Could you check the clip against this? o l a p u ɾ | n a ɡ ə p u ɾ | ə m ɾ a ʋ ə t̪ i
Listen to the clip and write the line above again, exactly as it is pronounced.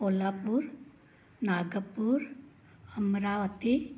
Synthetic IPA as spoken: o l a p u ɾ | n a ɡ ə p u ɾ | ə m ɾ a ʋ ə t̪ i

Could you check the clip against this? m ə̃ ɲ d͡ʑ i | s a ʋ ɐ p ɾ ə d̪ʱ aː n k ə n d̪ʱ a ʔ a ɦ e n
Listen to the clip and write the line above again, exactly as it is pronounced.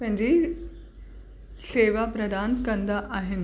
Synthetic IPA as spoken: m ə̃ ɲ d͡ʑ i | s e ʋ a p ɾ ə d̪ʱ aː n k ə n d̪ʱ a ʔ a ɦ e n

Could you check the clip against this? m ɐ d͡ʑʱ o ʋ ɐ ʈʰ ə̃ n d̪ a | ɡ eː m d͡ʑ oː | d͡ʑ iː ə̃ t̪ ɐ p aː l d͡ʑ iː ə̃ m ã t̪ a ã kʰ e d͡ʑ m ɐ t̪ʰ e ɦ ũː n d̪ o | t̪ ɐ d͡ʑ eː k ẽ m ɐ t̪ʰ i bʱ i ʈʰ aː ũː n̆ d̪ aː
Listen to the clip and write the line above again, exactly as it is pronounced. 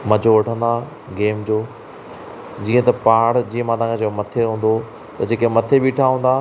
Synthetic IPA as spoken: m ɐ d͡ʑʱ o ʋ ɐ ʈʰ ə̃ n d̪ a | ɡ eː m d͡ʑ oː | d͡ʑ iː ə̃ t̪ ɐ p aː ɽ d͡ʑ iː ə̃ m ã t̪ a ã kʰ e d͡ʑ m ɐ t̪ʰ e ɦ ũː n d̪ o | t̪ ɐ d͡ʑ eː k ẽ m ɐ t̪ʰ e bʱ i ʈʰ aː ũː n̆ d̪ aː

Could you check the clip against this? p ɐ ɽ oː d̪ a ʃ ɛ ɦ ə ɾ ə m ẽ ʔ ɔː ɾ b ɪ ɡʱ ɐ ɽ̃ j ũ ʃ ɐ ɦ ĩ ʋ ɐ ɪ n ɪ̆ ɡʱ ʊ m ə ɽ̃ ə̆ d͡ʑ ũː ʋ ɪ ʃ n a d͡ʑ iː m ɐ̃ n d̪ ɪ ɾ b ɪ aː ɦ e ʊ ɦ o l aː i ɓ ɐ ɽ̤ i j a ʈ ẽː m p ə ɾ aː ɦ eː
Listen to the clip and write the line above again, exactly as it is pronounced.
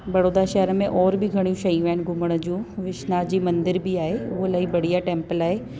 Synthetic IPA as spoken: b ɐ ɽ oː d̪ a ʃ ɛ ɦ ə ɾ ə m ẽ ʔ ɔː ɾ b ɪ ɡʱ ɐ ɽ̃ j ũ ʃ ɐ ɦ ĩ ʋ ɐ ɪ n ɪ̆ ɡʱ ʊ m ə ɽ̃ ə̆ d͡ʑ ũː ʋ ɪ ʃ n a d͡ʑ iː m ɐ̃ n d̪ ɪ ɾ b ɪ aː ɦ e ʊ ɦ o l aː i b ɐ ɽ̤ i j a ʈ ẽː m p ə l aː ɦ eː

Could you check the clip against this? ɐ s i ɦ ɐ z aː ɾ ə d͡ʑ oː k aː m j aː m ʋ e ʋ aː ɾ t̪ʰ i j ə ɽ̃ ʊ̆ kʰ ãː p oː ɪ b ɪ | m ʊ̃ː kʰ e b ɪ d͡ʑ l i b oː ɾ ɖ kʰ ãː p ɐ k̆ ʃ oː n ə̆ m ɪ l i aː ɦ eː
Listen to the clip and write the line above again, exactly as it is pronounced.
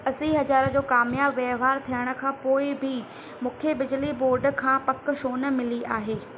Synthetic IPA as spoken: ɐ s i ɦ ɐ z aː ɾ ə d͡ʑ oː k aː m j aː b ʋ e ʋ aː ɾ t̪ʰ i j ə ɽ̃ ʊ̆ kʰ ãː p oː ɪ b ɪ | m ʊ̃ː kʰ e b ɪ d͡ʑ l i b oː ɾ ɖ kʰ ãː p ɐ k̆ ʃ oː n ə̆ m ɪ l i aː ɦ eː

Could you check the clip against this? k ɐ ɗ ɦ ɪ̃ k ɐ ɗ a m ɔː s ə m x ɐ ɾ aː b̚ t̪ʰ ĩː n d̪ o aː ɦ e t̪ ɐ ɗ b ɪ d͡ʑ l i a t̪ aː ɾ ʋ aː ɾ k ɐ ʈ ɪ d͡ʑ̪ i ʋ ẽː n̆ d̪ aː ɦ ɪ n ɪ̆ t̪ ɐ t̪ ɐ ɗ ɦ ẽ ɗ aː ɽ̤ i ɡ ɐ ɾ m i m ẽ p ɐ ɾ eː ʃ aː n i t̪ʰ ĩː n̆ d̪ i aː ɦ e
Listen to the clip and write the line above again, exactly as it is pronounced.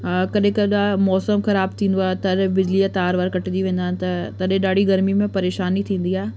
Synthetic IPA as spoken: k ɐ ɗ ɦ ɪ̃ k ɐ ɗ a m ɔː s ə m x ɐ ɾ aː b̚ t̪ʰ ĩː n d̪ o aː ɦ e t̪ ɐ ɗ b ɪ d͡ʑ l i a t̪ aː ɾ ʋ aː ɾ k ɐ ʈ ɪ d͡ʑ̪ i ʋ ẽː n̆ d̪ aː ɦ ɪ n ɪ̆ t̪ ɐ t̪ ɐ ɗ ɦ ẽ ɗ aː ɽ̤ i ɡ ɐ ɾ m i m ẽ p ɐ ɾ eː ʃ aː n i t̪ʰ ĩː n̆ d̪ i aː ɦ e

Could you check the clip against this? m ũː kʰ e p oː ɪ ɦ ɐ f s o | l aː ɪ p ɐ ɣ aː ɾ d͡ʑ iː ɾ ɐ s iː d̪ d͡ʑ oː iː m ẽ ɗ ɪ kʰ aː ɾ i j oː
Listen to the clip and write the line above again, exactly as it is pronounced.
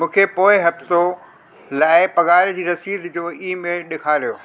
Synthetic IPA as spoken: m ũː kʰ e p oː ɪ ɦ ɐ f s o | l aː ɪ p ɐ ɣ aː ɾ d͡ʑ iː ɾ ɐ s iː d̪ d͡ʑ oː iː m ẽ ɗ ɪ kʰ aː ɾ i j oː

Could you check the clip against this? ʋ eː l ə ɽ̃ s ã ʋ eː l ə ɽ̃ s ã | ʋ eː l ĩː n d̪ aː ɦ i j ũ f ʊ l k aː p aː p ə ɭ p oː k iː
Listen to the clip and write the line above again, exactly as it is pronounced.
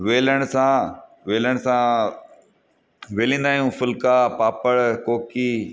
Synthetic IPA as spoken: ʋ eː l ə ɽ̃ s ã ʋ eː l ə ɽ̃ s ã | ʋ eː l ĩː n d̪ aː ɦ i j ũ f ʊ l k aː p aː p ə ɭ k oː k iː

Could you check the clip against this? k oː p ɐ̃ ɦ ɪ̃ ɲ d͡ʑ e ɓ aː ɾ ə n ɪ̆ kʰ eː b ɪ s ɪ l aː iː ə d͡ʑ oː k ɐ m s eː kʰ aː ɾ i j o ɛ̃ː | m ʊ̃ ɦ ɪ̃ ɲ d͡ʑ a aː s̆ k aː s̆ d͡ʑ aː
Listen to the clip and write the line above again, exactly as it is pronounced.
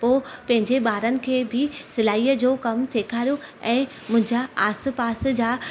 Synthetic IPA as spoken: p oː p ɐ̃ ɦ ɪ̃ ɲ d͡ʑ e ɓ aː ɾ ə n ɪ̆ kʰ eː b ɪ s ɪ l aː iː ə d͡ʑ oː k ɐ m s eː kʰ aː ɾ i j o ɛ̃ː | m ʊ̃ ɦ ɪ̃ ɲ d͡ʑ a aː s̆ p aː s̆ d͡ʑ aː

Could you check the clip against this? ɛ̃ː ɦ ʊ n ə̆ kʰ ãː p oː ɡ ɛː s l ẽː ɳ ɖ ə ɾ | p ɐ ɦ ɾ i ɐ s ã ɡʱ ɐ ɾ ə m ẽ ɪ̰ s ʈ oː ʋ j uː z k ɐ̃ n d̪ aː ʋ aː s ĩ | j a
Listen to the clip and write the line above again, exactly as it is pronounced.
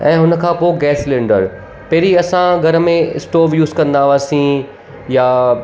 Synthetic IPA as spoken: ɛ̃ː ɦ ʊ n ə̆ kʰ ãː p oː ɡ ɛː s l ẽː ɳ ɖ ə ɾ | p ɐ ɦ ɾ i ɐ s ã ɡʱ ɐ ɾ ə m ẽ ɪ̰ s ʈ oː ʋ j uː z k ɐ̃ n d̪ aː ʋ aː s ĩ | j a

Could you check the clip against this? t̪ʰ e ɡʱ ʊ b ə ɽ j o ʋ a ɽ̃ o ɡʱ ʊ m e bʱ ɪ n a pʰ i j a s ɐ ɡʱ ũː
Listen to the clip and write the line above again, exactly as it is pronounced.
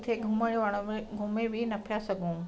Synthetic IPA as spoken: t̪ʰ e ɡʱ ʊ m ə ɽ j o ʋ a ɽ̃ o ɡʱ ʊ m e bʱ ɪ n ɐ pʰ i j a s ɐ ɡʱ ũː

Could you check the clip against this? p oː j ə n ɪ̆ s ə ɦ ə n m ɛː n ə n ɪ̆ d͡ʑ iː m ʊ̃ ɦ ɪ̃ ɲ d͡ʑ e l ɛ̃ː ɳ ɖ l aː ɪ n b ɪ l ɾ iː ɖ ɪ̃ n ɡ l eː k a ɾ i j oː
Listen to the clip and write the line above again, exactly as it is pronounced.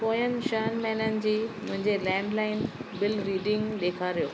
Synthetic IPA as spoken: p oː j ə n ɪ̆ ʃ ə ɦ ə n m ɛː n ə n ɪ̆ d͡ʑ iː m ʊ̃ ɦ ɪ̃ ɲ d͡ʑ e l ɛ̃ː ɳ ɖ l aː ɪ n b ɪ l ɾ iː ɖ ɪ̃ ŋ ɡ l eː kʰ a ɾ i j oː

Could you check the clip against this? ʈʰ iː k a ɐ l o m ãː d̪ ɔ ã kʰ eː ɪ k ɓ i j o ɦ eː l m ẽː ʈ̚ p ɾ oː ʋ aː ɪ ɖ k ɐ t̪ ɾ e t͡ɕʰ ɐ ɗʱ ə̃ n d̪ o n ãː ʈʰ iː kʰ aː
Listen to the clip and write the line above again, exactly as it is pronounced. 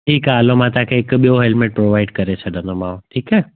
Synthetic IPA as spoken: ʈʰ iː k a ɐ l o m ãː t̪ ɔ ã kʰ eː ɪ k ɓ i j o ɦ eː l m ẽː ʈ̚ p ɾ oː ʋ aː ɪ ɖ k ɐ ɾ e t͡ɕʰ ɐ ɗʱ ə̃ n d̪ o m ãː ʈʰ iː k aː

